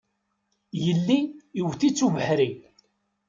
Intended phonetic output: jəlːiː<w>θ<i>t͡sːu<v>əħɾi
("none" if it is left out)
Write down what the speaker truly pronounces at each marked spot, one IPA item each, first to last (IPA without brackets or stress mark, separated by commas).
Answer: w, i, v